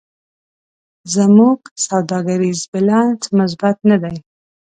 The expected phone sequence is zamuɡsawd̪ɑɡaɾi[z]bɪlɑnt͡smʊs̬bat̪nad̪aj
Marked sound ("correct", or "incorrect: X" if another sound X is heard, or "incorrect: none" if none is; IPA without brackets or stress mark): correct